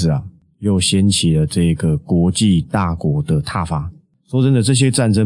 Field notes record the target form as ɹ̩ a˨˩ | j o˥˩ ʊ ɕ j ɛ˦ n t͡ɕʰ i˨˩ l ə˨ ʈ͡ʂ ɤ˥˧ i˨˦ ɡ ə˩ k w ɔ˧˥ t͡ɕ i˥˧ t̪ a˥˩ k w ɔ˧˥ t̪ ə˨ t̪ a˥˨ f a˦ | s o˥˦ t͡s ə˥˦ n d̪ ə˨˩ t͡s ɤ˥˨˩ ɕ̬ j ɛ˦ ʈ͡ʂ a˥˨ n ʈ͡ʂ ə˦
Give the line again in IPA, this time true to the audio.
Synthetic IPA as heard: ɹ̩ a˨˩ | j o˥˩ ʊ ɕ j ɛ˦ n t͡ɕʰ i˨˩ l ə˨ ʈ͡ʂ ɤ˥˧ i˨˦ ɡ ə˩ k w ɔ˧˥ t͡ɕ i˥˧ t̪ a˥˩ k w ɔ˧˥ d̪ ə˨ t̪ʰ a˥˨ f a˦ | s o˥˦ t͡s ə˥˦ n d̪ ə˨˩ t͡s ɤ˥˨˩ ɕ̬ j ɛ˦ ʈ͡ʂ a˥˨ n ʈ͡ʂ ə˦